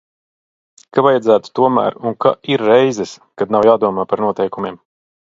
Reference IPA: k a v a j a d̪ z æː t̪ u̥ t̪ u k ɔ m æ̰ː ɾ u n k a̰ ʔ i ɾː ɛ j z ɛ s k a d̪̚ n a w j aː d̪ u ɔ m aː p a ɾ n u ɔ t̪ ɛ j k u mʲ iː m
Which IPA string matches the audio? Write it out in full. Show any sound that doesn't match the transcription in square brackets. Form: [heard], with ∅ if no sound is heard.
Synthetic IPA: k a v a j a d̪ z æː t̪ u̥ t̪ u [∅] ɔ m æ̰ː ɾ u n k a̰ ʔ i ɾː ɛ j z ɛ s k a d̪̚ n a w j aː d̪ u ɔ m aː p a ɾ n u ɔ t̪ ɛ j k u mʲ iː m